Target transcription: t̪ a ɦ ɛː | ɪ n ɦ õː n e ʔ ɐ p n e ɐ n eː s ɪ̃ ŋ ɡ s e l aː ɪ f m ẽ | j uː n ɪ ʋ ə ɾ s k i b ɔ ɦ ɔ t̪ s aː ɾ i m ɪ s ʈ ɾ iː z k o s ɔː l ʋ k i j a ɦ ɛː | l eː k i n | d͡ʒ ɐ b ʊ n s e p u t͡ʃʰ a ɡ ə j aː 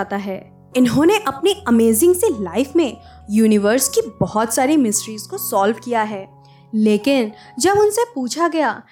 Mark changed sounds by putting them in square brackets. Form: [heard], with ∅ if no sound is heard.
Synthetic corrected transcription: t̪ a ɦ ɛː | ɪ n ɦ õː n e ʔ ɐ p n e ɐ [m] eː [z] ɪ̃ ŋ ɡ s e l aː ɪ f m ẽ | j uː n ɪ ʋ ə ɾ s k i b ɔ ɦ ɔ t̪ s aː ɾ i m ɪ s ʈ ɾ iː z k o s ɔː l ʋ k i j a ɦ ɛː | l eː k [ɪ] n | d͡ʒ ɐ b ʊ n s e p [uː] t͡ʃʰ a ɡ [ɐ] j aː